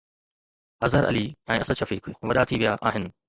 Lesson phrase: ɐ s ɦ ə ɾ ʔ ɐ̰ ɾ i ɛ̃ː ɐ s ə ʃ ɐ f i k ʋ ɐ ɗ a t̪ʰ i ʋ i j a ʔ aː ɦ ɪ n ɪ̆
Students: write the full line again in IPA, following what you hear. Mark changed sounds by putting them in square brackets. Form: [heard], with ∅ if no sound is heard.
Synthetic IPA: ɐ [z] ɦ ə ɾ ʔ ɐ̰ [l] i ɛ̃ː ɐ s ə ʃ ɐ f [iː] k ʋ ɐ ɗ a t̪ʰ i ʋ i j a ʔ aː ɦ ɪ n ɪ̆